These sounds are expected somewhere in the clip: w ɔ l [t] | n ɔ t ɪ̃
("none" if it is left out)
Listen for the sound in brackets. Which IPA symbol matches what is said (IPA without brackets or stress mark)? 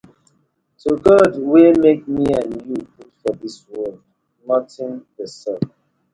d